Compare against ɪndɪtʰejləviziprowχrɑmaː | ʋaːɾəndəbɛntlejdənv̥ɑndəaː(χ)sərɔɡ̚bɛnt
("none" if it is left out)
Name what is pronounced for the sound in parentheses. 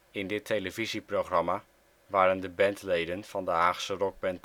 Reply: χ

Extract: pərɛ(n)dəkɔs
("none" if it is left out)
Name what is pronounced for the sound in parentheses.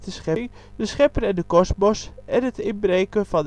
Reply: n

